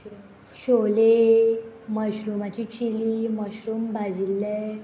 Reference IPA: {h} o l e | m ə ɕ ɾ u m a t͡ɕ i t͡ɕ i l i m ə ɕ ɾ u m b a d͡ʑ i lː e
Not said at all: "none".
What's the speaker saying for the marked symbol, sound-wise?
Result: ɕ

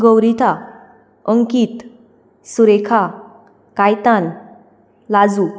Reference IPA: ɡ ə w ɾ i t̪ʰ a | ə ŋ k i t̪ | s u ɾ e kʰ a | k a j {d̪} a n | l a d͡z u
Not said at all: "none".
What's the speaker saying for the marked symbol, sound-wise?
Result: t̪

